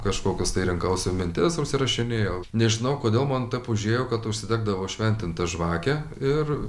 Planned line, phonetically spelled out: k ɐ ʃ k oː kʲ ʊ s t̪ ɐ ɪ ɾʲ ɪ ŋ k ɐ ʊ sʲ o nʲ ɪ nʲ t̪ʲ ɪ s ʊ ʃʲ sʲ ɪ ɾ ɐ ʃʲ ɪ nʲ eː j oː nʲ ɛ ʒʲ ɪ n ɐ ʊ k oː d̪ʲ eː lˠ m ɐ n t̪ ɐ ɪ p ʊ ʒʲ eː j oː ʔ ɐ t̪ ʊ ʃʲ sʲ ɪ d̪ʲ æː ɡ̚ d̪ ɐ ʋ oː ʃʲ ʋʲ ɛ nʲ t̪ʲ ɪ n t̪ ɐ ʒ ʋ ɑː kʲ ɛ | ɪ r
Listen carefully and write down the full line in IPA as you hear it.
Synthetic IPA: k ɐ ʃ k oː kʲ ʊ s t̪ ɐ ɪ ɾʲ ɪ ŋ k ɐ ʊ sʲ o mʲ ɪ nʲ t̪ʲ ɪ s ʊ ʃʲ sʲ ɪ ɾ ɐ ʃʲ ɪ nʲ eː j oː nʲ ɛ ʒʲ ɪ n ɐ ʊ k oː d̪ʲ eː lˠ m ɐ n t̪ ɐ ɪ p ʊ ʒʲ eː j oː k ɐ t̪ ʊ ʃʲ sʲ ɪ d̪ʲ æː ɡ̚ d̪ ɐ ʋ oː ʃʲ ʋʲ ɛ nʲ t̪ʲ ɪ n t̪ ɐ ʒ ʋ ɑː kʲ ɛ | ɪ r